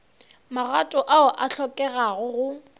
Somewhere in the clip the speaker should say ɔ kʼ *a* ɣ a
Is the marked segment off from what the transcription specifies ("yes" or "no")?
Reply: yes